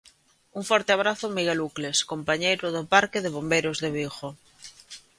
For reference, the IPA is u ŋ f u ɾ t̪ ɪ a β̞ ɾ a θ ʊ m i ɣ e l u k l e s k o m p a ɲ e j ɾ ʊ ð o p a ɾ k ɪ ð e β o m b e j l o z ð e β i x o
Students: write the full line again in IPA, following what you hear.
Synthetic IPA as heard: u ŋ f ɔ ɾ t̪ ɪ a β̞ ɾ a θ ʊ m i ɣ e l u k l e s k o m p a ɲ e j ɾ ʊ ð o p a ɾ k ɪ ð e β o m b e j ɾ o z ð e β i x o

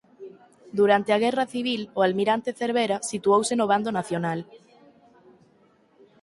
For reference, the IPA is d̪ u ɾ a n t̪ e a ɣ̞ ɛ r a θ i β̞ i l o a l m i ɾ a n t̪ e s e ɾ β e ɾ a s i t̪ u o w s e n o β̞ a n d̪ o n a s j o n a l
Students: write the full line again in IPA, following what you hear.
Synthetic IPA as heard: d̪ u ɾ a n t̪ e a ɣ̞ ɛ r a θ i β̞ i l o a l m i ɾ a n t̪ e θ e ɾ β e ɾ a s i t̪ u o w s e n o β̞ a n d̪ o n a θ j o n a l

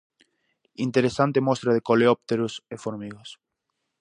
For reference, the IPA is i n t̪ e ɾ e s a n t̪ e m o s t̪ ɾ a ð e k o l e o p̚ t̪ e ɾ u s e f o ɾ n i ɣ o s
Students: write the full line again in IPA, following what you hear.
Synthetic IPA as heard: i n t̪ e ɾ e s a n t̪ e m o s t̪ ɾ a ð e k o l e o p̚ t̪ e ɾ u s e f o ɾ m i ɣ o s

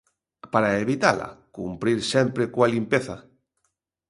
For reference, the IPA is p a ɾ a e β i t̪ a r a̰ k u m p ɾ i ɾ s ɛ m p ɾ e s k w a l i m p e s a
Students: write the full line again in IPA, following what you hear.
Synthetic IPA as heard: p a ɾ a e β i t̪ a l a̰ k u m p ɾ i ɾ s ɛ m p ɾ e k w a l i m p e θ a

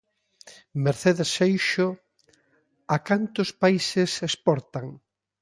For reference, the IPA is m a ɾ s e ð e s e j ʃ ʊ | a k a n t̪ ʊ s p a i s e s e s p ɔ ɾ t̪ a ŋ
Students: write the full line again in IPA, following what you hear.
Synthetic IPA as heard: m e ɾ θ e ð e s e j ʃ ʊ | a k a n t̪ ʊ s p a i s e s e s p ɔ ɾ t̪ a ŋ

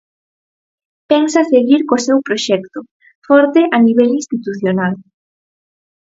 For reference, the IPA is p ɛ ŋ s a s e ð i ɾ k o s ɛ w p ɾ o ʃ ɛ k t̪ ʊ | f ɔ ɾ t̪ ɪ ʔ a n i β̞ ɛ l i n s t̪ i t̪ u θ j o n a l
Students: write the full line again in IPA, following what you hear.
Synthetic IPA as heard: p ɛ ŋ s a s e ɣ i ɾ k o s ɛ w p ɾ o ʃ ɛ k t̪ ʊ | f ɔ ɾ t̪ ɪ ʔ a n i β̞ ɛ l i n s t̪ i t̪ u θ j o n a l

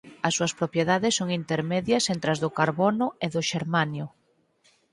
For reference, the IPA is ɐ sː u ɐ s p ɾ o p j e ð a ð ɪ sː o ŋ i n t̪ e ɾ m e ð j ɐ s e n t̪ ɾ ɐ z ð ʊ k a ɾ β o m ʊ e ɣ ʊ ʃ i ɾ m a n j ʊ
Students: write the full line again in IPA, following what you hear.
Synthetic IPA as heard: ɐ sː u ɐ s p ɾ o p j e ð a ð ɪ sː o ŋ i n t̪ e ɾ m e ð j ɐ s e n t̪ ɾ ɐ z ð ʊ k a ɾ β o n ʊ e ð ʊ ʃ e ɾ m a n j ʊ

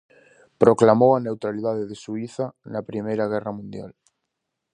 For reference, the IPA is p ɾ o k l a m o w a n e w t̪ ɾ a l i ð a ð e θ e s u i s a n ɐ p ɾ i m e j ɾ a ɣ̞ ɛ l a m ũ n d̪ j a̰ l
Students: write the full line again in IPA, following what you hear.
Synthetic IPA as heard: p ɾ o k l a m o w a n e w t̪ ɾ a l i ð a ð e ð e s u i θ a n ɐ p ɾ i m e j ɾ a ɣ̞ ɛ r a m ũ n d̪ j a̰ l

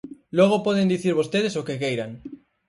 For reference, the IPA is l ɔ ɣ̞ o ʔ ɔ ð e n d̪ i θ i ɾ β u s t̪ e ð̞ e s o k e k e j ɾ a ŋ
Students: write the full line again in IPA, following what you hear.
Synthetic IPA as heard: l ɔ ɣ̞ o p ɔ ð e n d̪ i θ i ɾ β o s t̪ e ð̞ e s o k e k e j ɾ a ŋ

